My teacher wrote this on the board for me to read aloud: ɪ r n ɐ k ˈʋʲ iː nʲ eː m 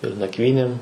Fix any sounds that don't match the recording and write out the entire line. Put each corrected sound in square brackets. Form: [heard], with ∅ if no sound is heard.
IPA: ɪ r n ɐ k ˈʋʲ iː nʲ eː m